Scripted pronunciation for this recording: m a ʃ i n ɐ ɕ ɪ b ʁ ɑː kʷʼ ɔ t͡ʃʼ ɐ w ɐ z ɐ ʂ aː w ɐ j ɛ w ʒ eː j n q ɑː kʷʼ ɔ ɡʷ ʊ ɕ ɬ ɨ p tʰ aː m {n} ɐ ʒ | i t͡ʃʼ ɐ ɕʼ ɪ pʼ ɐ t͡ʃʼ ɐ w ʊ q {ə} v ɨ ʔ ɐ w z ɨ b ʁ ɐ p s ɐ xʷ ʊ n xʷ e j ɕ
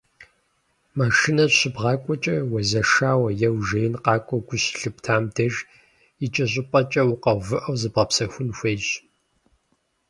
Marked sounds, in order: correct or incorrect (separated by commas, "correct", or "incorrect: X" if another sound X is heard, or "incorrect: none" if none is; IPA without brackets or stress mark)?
incorrect: d, incorrect: ɐ